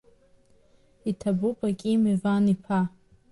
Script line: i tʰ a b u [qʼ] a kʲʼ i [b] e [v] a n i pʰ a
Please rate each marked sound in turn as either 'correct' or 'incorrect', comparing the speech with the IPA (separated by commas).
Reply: incorrect, incorrect, correct